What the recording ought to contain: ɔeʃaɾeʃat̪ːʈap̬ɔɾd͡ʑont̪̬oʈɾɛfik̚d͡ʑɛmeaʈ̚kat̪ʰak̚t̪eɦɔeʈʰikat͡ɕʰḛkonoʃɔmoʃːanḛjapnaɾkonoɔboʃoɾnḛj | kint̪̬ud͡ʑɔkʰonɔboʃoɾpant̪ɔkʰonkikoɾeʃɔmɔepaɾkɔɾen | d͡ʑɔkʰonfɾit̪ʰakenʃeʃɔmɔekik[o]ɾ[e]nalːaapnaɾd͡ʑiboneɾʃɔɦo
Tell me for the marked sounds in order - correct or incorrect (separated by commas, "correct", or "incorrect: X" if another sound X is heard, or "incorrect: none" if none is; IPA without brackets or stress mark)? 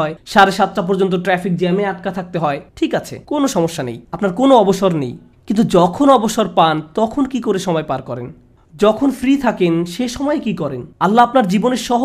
incorrect: ɔ, correct